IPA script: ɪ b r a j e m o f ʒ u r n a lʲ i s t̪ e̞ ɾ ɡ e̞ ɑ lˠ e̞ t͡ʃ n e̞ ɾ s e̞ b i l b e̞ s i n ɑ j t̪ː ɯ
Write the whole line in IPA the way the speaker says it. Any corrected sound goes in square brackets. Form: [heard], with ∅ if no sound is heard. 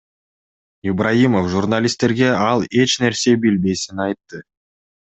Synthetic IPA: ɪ b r a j [i] m o f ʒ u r n a lʲ i s t̪ e̞ ɾ ɡ e̞ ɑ lˠ e̞ t͡ʃ n e̞ ɾ s e̞ b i l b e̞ s i n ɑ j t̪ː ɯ